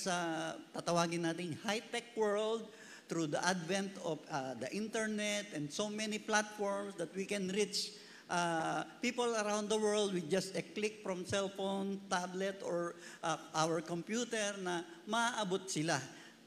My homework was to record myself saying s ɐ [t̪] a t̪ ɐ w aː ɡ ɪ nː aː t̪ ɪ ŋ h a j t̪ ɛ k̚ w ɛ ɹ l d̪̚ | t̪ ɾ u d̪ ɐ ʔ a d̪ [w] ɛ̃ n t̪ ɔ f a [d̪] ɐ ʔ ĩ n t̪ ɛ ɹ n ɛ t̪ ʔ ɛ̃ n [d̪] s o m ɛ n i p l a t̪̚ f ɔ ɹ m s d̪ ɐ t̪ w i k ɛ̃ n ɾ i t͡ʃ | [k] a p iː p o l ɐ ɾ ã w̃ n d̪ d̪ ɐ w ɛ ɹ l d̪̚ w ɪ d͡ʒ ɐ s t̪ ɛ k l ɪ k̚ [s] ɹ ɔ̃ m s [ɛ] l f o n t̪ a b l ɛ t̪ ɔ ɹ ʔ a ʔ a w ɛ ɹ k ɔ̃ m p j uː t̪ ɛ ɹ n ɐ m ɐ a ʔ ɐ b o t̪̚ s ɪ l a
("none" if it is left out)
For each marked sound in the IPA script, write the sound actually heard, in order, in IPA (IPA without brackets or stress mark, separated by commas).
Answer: t̪, v, d̪, d̪, ʔ, f, ɛ